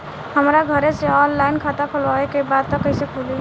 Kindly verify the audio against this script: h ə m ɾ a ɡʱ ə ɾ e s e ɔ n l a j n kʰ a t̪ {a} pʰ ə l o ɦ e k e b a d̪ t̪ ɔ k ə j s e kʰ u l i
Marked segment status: correct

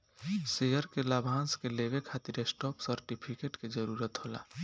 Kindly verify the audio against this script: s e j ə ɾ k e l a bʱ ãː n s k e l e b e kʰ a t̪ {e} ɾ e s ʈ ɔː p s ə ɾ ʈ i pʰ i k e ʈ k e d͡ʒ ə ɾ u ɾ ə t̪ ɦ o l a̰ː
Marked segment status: incorrect: i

